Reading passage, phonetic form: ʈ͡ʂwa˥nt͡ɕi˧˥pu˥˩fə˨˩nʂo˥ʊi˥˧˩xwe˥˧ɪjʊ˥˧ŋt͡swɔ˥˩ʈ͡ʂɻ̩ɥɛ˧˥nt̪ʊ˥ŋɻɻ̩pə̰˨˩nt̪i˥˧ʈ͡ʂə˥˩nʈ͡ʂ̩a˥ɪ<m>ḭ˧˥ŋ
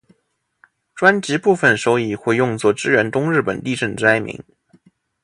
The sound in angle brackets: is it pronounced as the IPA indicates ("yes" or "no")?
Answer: yes